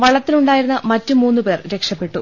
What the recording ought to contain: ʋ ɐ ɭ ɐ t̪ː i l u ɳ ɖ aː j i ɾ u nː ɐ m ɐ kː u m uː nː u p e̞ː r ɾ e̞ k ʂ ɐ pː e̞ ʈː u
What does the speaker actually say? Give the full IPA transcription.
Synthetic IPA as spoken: ʋ ɐ ɭ ɐ t̪ː i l u ɳ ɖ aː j i ɾ u nː ɐ m ɐ tː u m uː nː u p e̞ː r ɾ e̞ k ʂ ɐ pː e̞ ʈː u